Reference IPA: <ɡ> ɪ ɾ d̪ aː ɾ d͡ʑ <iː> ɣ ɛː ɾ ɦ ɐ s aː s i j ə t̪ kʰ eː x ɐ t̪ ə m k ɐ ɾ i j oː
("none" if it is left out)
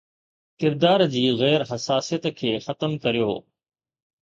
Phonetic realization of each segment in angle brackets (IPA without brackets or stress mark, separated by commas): k, iː